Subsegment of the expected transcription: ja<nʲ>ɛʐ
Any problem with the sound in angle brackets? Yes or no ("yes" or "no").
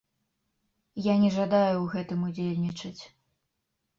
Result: no